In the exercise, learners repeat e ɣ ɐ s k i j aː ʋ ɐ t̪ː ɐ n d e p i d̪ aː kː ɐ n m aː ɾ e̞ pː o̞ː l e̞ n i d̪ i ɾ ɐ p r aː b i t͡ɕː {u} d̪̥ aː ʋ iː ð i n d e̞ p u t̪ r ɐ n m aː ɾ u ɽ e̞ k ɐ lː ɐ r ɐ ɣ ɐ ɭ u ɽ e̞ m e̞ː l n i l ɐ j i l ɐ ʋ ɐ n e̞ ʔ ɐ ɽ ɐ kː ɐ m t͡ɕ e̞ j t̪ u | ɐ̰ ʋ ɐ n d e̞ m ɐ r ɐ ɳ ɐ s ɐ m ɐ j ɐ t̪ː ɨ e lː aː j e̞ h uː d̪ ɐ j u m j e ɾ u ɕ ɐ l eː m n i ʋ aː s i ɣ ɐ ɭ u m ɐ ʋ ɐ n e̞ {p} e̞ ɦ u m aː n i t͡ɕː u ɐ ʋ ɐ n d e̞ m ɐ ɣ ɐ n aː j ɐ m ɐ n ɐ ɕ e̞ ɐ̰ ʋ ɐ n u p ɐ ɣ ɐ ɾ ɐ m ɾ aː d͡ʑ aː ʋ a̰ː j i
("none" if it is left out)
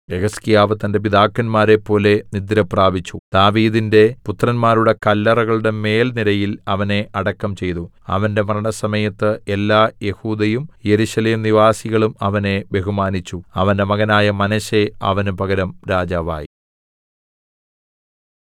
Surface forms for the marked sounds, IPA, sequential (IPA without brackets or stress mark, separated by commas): u, b